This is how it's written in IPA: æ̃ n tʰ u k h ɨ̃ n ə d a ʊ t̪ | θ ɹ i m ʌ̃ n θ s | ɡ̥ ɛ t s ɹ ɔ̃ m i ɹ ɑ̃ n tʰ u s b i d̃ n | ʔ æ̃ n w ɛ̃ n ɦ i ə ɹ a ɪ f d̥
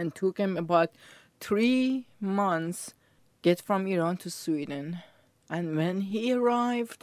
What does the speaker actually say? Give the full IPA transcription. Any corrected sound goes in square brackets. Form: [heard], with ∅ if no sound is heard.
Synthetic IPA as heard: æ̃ n tʰ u k h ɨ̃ [m] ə [b] a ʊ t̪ | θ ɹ i m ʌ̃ n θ s | ɡ̥ ɛ t [f] ɹ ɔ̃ m i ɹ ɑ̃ n tʰ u s [w] i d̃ n | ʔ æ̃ n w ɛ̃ n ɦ i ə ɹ a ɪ [v] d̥